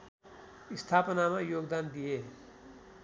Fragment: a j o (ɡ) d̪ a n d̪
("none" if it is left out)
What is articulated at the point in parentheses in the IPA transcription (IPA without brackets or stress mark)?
ɡ